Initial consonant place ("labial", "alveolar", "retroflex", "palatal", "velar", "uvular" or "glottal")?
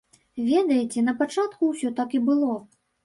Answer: labial